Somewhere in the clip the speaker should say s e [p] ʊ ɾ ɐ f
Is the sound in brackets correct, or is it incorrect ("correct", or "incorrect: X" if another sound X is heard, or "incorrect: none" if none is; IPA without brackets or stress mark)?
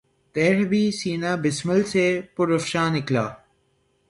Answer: correct